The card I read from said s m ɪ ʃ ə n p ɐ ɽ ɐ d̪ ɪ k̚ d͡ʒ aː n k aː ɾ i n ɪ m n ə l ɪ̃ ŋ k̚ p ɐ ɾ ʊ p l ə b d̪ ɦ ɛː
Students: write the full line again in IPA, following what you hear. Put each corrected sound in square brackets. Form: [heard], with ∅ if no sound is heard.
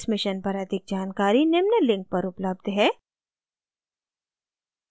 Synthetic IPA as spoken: s m ɪ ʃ ə n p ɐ [ɾ] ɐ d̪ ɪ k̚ d͡ʒ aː n k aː ɾ i n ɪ m n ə l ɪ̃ ŋ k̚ p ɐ ɾ ʊ p l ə b d̪ ɦ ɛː